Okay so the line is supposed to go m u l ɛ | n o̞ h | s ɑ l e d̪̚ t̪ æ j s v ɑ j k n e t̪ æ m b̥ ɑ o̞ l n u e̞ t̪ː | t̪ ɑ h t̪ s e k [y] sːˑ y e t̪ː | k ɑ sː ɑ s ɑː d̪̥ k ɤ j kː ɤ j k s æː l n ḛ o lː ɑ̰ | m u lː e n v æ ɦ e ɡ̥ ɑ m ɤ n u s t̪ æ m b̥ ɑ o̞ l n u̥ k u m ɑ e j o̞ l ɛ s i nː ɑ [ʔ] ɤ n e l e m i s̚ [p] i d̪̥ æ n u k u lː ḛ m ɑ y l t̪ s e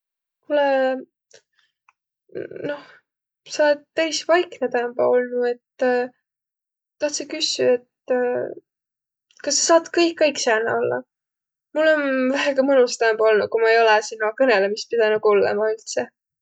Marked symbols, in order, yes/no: yes, no, yes

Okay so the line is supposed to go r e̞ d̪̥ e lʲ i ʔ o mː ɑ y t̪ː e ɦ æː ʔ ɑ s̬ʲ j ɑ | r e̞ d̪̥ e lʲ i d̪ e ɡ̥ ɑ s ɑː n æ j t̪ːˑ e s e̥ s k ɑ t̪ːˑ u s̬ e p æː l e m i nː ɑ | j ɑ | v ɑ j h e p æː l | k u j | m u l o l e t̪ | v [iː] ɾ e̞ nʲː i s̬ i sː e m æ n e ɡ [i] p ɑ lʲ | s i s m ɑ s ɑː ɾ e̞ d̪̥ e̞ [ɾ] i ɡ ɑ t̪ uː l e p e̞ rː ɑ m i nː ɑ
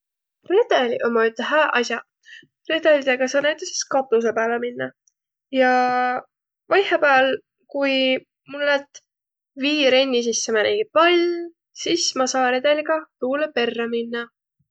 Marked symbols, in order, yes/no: yes, yes, no

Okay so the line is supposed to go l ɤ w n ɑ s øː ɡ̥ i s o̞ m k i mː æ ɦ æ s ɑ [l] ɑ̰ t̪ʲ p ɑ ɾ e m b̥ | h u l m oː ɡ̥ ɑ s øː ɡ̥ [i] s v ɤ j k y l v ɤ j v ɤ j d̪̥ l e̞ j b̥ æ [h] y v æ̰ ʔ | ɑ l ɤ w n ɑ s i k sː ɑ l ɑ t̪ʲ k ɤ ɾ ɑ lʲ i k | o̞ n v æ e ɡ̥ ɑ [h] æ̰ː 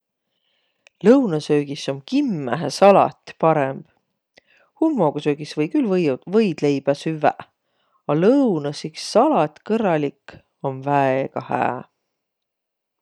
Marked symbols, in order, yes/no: yes, yes, no, yes

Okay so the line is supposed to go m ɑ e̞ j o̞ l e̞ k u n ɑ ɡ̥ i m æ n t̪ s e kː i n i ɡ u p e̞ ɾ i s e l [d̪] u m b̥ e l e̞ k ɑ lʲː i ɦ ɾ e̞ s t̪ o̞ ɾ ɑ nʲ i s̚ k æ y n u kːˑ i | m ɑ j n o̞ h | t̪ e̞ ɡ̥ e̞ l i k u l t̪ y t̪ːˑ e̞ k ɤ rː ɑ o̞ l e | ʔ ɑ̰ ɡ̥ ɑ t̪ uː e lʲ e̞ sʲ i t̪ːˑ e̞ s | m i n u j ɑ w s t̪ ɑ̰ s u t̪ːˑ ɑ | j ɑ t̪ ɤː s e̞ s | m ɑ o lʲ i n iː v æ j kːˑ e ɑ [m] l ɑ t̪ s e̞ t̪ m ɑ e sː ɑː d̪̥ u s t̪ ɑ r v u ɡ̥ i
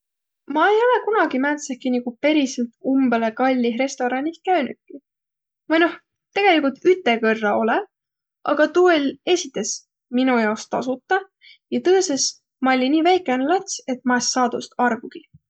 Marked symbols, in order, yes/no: no, no

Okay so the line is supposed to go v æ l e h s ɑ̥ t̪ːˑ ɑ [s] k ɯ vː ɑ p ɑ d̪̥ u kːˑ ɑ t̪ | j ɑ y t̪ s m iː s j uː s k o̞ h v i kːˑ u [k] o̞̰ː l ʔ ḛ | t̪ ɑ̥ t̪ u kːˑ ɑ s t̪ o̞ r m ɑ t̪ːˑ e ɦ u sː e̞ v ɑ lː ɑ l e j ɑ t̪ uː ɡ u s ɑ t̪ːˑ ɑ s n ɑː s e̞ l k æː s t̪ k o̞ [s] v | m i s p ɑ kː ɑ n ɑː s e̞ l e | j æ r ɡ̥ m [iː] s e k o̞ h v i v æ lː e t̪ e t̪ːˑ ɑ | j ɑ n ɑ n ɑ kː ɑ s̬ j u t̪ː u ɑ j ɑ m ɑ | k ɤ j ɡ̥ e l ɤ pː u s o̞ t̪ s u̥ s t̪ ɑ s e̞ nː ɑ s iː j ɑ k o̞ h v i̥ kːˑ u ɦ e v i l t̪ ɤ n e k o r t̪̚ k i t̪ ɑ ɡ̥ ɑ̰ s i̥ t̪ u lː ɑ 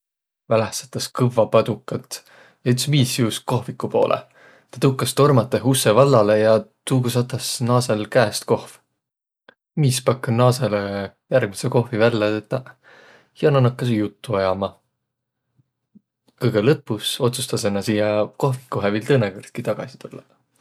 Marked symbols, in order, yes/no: yes, no, no, no

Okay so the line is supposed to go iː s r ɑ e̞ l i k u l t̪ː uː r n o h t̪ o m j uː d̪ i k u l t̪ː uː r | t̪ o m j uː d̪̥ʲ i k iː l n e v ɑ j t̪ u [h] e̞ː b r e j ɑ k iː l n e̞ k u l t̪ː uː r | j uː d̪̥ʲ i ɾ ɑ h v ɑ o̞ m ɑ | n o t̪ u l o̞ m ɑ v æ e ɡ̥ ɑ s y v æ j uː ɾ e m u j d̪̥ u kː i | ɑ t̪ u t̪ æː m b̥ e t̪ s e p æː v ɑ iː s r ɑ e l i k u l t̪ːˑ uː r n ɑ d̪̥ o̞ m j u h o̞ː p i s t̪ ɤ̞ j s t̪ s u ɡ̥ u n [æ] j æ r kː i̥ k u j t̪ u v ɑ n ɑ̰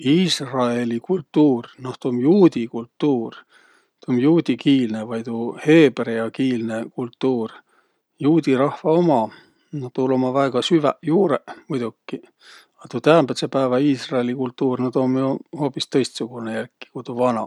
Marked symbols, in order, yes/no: yes, no

